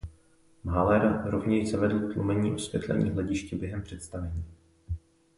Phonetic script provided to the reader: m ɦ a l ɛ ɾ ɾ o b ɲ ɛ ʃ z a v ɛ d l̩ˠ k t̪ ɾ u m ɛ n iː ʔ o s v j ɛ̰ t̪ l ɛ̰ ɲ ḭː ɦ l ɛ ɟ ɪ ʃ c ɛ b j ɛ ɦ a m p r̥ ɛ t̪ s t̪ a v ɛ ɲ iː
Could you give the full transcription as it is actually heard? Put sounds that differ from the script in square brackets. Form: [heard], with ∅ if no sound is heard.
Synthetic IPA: m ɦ a l ɛ ɾ ɾ o [v] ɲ ɛ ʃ z a v ɛ d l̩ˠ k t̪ [l] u m ɛ [ɲ] iː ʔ o s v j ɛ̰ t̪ l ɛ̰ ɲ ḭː ɦ l ɛ ɟ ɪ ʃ c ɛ b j ɛ ɦ [ɛ] m p r̥ ɛ t̪ s t̪ a v ɛ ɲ iː